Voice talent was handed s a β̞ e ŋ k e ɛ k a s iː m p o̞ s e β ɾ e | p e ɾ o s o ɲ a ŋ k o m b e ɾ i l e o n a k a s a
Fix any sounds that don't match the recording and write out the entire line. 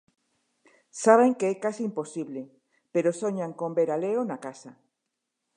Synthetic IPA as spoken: s a β̞ e ŋ k e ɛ k a s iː m p o̞ s i β l e | p e ɾ o s o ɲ a ŋ k o m b e ɾ a l e o n a k a s a